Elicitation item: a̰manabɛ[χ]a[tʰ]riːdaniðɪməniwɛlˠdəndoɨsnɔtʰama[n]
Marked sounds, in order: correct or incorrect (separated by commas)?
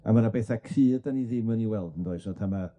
incorrect, incorrect, incorrect